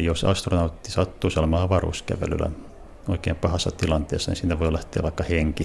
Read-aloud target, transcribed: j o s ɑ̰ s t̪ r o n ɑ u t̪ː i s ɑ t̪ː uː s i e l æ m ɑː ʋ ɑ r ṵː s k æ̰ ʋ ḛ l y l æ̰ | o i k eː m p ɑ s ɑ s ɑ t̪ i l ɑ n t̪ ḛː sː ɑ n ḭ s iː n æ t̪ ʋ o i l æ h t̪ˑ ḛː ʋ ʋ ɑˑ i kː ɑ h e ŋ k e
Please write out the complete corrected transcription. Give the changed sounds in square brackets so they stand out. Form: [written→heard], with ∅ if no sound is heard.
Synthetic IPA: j o s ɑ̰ s t̪ r o n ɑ u t̪ː i s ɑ t̪ː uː s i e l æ m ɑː ʋ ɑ r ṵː s k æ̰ ʋ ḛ l y l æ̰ | o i k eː m p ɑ [s→h] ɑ [s→sː] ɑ t̪ i l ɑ n t̪ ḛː sː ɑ n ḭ s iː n æ [t̪→∅] ʋ o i l æ h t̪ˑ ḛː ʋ ʋ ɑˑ i kː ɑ h e ŋ k [e→i]